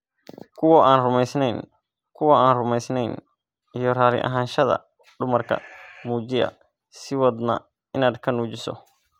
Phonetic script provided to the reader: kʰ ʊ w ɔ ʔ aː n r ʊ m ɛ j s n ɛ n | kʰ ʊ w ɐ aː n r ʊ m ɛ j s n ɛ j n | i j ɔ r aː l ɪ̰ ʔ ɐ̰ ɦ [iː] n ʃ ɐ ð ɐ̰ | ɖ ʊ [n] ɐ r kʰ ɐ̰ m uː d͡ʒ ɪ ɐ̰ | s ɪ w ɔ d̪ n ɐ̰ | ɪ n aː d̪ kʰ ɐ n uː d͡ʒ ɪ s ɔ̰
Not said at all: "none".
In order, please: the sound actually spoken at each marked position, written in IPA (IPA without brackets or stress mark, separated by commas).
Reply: aː, m